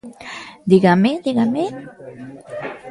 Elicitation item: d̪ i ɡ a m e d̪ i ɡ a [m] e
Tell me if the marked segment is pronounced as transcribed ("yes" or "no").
yes